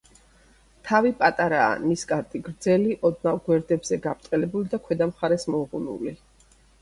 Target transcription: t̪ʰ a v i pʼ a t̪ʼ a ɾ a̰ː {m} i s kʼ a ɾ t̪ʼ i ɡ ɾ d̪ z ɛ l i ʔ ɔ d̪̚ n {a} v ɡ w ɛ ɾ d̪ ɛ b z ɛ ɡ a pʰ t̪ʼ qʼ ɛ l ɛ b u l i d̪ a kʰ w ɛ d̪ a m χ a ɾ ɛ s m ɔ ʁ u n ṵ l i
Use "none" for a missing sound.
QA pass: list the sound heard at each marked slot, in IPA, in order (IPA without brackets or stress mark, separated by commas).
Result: n, a